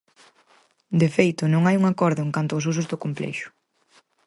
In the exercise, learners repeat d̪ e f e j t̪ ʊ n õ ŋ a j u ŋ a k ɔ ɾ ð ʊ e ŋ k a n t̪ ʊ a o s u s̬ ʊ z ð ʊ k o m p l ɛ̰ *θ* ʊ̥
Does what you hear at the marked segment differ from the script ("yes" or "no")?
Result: yes